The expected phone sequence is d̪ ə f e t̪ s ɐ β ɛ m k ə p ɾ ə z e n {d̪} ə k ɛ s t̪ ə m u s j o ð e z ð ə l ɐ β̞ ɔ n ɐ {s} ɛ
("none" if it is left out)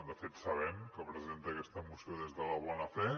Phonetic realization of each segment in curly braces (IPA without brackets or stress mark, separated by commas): t̪, f